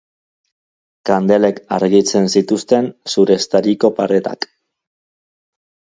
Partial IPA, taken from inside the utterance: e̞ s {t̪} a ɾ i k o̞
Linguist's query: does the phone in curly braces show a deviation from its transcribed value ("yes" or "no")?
no